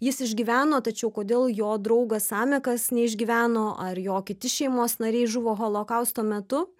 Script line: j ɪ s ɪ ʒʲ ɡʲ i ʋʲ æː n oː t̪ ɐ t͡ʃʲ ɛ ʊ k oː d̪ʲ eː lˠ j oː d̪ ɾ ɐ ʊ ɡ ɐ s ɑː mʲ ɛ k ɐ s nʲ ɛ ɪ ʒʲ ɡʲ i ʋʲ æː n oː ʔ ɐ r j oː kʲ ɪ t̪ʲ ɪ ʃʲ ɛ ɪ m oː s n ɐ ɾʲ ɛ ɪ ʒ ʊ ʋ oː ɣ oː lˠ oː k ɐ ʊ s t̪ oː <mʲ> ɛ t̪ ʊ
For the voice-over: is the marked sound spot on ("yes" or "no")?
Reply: yes